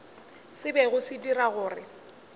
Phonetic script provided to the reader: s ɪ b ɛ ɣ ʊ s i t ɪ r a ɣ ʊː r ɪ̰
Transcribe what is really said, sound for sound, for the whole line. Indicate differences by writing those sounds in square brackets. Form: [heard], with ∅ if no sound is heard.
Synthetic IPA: s ɪ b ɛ ɣ ʊ s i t [i] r a ɣ ʊː r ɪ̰